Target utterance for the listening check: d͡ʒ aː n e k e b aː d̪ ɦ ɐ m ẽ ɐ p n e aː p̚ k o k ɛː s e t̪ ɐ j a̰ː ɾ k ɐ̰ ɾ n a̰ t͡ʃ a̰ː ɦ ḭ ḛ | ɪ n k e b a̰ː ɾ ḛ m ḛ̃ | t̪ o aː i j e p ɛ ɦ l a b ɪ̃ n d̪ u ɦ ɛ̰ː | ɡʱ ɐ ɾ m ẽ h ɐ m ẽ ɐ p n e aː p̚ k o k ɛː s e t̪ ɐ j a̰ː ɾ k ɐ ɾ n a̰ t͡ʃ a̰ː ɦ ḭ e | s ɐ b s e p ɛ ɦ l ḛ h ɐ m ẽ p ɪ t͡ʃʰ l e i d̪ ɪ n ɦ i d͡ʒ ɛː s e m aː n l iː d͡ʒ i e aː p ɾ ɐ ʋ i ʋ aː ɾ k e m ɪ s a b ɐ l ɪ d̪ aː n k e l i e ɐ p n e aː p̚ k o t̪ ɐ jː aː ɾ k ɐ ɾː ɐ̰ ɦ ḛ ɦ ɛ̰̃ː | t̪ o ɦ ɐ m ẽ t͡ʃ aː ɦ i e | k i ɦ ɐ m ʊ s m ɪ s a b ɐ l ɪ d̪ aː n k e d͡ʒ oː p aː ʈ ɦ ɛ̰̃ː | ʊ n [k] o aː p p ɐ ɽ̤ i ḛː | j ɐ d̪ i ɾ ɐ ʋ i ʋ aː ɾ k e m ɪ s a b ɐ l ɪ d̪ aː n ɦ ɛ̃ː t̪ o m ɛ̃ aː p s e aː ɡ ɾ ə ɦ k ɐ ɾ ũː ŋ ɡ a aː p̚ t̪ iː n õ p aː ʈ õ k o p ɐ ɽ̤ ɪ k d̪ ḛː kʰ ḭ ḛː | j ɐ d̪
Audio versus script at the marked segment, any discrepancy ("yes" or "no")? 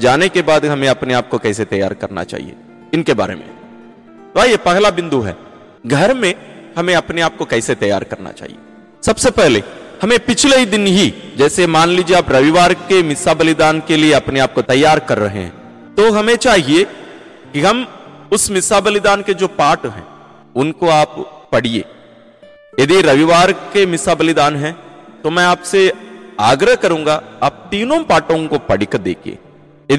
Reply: no